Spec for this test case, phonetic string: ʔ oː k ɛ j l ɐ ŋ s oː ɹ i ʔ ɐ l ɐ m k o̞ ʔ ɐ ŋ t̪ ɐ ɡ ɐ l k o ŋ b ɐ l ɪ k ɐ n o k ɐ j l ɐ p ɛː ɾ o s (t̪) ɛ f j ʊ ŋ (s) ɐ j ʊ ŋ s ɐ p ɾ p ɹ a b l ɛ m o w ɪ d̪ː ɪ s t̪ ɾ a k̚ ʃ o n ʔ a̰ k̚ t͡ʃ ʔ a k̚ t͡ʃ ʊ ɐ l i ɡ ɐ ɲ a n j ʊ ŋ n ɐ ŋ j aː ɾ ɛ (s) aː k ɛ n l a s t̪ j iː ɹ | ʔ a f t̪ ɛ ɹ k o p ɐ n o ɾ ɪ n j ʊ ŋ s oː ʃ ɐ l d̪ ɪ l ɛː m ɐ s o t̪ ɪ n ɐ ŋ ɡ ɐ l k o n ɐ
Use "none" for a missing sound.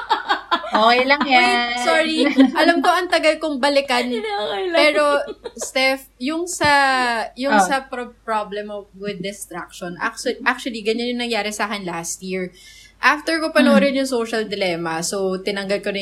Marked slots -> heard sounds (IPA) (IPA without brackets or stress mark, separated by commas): t̪, s, s